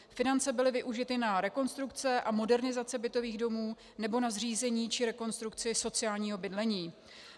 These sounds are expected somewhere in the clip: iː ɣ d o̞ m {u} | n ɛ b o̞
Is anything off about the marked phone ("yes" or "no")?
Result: yes